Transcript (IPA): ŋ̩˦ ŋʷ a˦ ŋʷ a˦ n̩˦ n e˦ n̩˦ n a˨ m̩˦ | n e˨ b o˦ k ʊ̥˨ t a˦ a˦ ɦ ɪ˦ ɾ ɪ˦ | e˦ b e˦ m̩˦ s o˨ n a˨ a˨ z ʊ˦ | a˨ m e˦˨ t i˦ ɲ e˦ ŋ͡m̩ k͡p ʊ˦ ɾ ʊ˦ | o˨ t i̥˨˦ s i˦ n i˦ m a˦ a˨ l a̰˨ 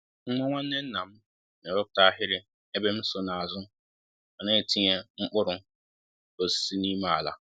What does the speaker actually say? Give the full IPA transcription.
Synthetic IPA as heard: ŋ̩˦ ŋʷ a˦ ŋʷ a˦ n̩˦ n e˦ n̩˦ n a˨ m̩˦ | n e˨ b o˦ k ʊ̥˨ t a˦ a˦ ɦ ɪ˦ ɾ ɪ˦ | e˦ b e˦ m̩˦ s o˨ n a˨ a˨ z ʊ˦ | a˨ n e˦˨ t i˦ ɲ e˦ ŋ͡m̩ k͡p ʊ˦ ɾ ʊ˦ | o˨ s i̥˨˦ s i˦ n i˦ m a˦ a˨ l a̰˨

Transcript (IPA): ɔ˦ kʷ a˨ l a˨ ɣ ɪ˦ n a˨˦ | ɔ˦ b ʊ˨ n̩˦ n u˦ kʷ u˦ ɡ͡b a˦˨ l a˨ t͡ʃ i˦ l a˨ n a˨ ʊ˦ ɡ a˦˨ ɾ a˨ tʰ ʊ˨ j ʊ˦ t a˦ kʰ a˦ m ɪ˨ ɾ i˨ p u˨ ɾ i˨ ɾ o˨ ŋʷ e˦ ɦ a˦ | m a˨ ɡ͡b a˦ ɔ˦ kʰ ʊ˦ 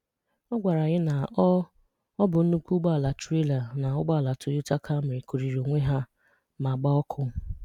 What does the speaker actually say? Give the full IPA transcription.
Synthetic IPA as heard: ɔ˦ ɡʷ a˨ ɾ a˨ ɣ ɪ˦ n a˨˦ | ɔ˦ b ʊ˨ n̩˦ n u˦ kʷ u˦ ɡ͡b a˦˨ l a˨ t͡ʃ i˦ l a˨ n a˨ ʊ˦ ɡ͡b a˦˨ l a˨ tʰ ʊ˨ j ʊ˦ t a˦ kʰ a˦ m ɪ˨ ɾ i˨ k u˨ ɾ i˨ ɾ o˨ ŋʷ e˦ ɦ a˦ | m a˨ ɡ͡b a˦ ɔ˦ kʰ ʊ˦

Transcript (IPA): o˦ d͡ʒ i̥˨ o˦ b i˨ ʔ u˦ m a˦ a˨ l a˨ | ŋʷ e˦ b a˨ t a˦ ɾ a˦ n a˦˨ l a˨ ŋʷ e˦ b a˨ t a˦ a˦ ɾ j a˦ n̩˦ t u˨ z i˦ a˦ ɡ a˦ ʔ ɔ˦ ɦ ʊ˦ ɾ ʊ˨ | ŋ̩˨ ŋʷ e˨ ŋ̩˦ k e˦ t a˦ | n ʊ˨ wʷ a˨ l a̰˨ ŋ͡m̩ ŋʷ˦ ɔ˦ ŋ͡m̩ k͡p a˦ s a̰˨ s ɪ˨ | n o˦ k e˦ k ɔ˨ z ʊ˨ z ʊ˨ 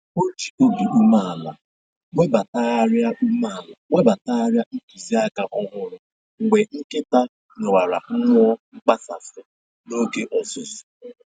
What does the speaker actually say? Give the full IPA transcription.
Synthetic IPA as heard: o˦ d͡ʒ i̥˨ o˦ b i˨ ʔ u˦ m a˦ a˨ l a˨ | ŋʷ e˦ b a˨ t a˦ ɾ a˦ m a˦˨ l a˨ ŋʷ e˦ b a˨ t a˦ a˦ ɾ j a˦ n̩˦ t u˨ z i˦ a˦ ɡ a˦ ʔ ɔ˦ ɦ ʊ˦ ɾ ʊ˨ | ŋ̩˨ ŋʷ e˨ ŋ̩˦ k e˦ t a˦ | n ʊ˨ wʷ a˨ ɾ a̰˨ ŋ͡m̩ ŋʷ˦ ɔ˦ ŋ͡m̩ k͡p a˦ s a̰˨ s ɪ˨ | n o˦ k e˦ ʔ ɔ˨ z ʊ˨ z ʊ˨

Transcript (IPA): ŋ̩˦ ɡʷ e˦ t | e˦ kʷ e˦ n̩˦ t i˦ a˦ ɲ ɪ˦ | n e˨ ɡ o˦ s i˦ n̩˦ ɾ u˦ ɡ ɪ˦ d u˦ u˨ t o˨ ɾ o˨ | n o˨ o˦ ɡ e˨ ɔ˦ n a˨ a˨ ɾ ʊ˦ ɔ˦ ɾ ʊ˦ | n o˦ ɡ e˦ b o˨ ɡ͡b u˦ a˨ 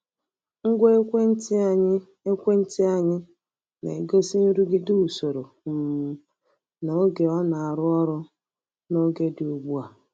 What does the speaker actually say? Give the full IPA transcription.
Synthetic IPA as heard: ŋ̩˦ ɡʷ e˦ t | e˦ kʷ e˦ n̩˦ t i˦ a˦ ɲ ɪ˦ | n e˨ ɡ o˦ s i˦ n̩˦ ɾ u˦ ɡ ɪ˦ d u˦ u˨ s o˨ ɾ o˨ | n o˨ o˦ ɡ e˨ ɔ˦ n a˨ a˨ ɾ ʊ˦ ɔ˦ ɾ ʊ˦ | n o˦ ɡ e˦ d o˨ ɡ͡b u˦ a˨

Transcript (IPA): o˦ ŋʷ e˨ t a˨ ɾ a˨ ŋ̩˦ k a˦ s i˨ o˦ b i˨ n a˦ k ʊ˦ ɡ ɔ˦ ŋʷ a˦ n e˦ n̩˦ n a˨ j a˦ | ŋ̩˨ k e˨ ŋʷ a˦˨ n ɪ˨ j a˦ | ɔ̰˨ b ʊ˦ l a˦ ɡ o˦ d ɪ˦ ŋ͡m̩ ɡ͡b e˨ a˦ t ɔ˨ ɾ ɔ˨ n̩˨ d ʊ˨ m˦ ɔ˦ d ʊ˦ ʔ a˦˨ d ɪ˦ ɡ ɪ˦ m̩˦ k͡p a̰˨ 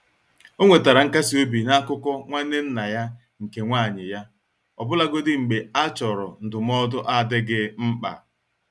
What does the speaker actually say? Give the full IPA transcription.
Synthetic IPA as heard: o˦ ŋʷ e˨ t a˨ ɾ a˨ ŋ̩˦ k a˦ s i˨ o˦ b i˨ n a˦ k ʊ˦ k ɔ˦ ŋʷ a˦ n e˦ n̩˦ n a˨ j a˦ | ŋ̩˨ k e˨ ŋʷ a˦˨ ɲ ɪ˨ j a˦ | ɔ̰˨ b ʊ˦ l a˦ ɡ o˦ d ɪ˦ ŋ͡m̩ ɡ͡b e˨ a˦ t͡ʃ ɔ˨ ɾ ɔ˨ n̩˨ d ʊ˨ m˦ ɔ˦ d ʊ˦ ʔ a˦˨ d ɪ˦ ɡ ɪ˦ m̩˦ k͡p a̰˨

